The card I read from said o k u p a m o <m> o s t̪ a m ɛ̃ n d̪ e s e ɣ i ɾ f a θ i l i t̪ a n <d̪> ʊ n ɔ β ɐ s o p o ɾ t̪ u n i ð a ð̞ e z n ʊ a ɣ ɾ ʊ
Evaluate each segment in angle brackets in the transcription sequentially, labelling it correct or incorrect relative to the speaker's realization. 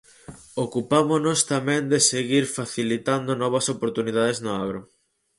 incorrect: n, correct

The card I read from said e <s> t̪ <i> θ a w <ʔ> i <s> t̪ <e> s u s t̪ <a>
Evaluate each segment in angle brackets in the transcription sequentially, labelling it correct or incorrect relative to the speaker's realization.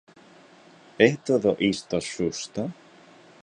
incorrect: h, incorrect: a, correct, correct, incorrect: a, correct

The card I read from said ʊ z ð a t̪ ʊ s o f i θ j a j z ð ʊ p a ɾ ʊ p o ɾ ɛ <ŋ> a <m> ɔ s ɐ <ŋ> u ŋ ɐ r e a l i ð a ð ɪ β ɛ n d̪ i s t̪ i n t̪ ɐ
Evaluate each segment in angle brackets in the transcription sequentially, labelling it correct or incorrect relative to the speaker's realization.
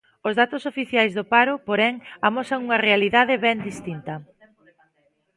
correct, correct, correct

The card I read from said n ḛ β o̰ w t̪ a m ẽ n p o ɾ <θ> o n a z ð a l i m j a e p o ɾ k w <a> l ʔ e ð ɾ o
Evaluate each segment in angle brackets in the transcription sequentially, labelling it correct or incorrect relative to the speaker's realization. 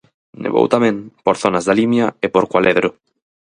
correct, correct

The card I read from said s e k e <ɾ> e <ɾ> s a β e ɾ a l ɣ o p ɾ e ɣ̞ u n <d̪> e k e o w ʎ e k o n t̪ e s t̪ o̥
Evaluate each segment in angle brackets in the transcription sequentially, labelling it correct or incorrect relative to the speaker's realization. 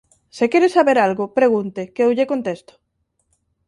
correct, incorrect: none, incorrect: t̪

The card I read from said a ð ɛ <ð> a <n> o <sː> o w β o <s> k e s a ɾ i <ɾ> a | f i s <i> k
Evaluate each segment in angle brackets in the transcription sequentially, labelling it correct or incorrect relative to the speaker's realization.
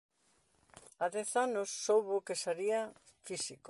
incorrect: θ, correct, correct, incorrect: none, incorrect: none, correct

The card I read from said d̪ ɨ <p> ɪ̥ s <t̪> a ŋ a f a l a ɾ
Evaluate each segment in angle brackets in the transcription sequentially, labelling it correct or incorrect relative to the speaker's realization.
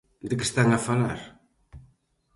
incorrect: k, correct

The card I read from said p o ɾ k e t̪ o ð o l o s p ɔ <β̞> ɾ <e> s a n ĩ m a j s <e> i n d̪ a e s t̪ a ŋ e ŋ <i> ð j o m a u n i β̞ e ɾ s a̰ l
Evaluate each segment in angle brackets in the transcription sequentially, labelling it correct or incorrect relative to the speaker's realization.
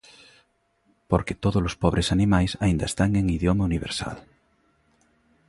correct, correct, incorrect: a, correct

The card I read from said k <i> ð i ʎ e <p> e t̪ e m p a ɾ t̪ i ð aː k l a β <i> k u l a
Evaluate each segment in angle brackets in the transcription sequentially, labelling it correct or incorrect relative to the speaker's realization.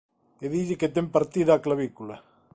incorrect: e, incorrect: k, correct

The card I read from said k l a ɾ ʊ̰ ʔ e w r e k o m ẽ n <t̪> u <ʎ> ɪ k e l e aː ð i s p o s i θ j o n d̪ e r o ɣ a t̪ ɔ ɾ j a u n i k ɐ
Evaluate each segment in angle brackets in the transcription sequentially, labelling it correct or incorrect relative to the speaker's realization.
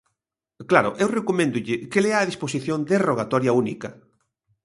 incorrect: d̪, correct

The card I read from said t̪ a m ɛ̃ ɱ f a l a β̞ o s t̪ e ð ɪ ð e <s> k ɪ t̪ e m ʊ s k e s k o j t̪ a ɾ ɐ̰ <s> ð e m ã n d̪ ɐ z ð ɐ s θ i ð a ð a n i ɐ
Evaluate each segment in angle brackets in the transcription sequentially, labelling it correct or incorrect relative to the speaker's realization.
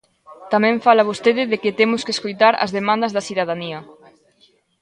incorrect: none, incorrect: z

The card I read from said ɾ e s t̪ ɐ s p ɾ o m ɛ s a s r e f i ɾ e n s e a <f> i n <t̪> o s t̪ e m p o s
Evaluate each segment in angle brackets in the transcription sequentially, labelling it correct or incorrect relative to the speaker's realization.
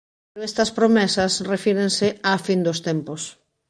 correct, incorrect: d̪

